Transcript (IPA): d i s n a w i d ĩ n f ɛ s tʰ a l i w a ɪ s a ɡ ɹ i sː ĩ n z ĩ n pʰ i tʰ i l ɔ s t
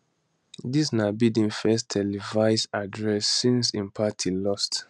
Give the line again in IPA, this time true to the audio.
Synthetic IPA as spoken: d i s n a b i d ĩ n f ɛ s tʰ ɛ l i v a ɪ s a d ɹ ɛ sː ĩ n s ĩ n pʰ a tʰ i l ɔ s t